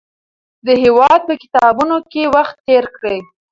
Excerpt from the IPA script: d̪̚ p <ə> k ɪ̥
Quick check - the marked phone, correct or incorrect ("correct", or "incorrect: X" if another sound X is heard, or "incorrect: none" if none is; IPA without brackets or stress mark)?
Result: correct